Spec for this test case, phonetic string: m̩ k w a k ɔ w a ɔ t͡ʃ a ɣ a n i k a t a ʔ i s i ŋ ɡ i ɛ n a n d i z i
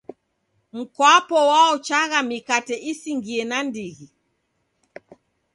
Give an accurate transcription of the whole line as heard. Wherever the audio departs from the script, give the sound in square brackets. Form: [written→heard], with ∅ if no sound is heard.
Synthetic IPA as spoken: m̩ k w a [k→p] ɔ w a ɔ t͡ʃ a ɣ a [n→m] i k a t [a→ɛ] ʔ i s i ŋ ɡ i ɛ n a n d i [z→ɣ] i